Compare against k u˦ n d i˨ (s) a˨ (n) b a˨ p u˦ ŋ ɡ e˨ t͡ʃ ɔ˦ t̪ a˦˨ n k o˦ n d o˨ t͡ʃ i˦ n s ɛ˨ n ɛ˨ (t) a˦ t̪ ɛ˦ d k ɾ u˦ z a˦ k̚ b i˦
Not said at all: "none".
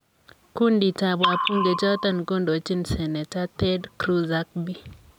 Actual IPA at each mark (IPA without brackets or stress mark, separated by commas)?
t, none, t